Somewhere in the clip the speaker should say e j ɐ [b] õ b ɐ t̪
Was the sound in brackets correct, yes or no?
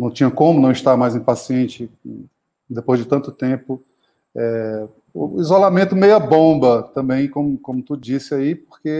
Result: yes